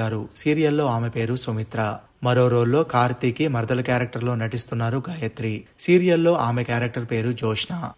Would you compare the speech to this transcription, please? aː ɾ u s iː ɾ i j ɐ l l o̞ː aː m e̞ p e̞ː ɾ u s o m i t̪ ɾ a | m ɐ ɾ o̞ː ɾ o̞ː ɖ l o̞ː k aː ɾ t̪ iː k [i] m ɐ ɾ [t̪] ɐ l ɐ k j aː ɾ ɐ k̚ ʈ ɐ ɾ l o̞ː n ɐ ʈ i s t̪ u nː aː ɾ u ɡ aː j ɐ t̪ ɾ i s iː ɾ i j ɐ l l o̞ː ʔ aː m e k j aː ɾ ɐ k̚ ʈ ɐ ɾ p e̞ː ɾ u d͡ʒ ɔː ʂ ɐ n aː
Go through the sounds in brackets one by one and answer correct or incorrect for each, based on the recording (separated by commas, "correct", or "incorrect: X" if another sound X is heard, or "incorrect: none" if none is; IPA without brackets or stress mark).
correct, incorrect: d̪